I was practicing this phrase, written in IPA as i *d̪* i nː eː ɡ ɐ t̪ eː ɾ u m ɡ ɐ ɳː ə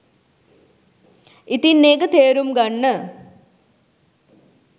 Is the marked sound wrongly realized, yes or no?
yes